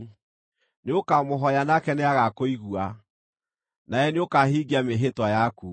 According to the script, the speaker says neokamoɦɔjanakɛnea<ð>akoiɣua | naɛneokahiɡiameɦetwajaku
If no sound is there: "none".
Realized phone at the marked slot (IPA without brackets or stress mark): ɣ